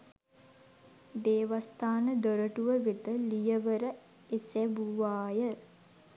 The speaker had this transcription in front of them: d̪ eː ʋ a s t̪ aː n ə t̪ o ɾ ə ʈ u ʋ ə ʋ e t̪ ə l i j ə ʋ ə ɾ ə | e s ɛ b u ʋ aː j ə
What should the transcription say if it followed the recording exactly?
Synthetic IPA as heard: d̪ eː ʋ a s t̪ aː n ə d̪ o ɾ ə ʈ u ʋ ə ʋ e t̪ ə l i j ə ʋ ə ɾ ə | e s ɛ b u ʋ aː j ə

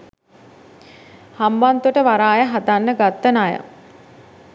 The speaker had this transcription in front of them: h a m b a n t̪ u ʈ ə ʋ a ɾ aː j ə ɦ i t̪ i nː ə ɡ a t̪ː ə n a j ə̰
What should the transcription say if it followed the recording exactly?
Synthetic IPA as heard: h a m b a n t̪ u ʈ ə ʋ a ɾ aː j ə ɦ a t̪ a nː ə ɡ a t̪ː ə n a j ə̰

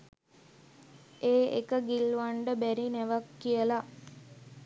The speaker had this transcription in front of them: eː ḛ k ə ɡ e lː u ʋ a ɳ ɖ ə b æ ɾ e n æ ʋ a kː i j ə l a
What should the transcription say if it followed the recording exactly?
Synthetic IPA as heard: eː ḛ k ə ɡ i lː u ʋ a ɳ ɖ ə b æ ɾ i n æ ʋ a kː i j ə l a

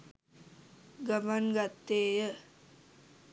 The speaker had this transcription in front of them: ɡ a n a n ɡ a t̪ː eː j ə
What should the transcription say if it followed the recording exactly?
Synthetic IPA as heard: ɡ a m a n ɡ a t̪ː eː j ə

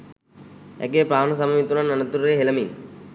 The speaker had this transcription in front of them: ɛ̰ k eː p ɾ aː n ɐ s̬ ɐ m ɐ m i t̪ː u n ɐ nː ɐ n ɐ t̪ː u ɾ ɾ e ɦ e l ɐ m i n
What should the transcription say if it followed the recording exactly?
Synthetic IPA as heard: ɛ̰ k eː p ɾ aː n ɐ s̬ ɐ m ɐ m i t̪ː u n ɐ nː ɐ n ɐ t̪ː u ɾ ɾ e ɦ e l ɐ m i n

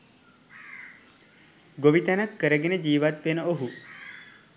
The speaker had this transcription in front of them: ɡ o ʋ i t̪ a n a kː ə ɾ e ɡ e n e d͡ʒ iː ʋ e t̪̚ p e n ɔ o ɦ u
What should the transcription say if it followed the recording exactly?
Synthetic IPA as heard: ɡ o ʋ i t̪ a n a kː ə ɾ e ɡ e n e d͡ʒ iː ʋ a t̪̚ p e n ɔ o ɦ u

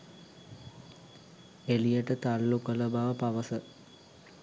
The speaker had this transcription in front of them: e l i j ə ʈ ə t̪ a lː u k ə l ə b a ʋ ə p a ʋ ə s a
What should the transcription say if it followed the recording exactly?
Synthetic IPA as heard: e l i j ə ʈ ə t̪ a lː u k ə l ə b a ʋ ə p a ʋ ə s ə

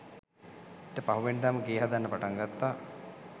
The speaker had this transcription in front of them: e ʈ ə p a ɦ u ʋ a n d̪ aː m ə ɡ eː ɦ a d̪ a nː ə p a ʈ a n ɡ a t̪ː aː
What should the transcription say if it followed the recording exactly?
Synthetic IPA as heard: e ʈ ə p a ɦ u ʋ e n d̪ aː m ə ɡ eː ɦ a d̪ a nː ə p a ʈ a ŋ ɡ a t̪ː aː

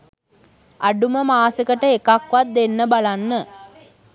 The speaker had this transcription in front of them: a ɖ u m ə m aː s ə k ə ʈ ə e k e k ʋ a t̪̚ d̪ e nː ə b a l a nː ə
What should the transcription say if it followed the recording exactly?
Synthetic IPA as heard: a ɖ u m ə m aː s ə k ə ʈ ə e k a k ʋ a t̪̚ d̪ e nː ə b a l a nː ə

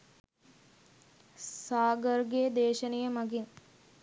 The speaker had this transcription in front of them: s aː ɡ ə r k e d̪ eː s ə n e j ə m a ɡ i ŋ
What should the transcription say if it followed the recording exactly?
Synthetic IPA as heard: s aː ɡ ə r ɡ e d̪ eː ʃ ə n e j ə m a ɡ i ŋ

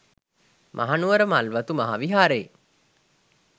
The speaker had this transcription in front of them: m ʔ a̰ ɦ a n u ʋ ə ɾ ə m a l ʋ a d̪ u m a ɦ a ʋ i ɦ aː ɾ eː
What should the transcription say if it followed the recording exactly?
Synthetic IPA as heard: m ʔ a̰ ɦ a n u ʋ ə ɾ ə m a l ʋ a t̪ u m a ɦ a ʋ i ɦ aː ɾ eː

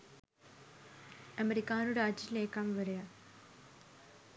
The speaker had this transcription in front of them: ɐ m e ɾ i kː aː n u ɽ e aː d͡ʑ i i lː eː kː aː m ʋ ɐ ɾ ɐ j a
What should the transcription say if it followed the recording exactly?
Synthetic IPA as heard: ɐ m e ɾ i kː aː n u ɽ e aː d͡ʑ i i l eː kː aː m ʋ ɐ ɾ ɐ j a

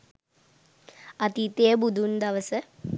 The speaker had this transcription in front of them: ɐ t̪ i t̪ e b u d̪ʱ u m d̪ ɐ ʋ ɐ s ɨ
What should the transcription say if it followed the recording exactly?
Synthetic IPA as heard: ɐ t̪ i t̪ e b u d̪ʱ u n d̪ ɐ ʋ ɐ s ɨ

